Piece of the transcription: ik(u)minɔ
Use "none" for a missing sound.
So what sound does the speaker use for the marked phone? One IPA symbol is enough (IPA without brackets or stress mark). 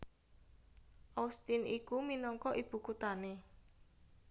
u